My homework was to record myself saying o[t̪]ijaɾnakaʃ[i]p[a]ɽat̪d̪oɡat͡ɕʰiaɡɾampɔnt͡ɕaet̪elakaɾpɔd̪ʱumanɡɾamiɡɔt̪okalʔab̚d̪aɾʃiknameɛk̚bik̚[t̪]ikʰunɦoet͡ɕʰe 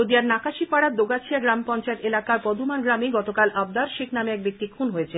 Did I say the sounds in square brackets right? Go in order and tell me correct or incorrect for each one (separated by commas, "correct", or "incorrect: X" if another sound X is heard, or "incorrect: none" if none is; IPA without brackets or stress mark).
incorrect: d̪, correct, correct, correct